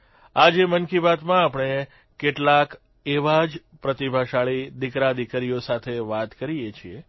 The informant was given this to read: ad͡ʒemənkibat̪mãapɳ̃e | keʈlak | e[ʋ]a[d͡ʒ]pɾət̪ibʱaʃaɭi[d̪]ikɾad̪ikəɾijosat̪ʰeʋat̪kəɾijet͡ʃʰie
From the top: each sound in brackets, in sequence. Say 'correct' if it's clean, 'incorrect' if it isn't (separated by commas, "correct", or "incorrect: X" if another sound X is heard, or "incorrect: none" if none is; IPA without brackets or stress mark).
correct, correct, correct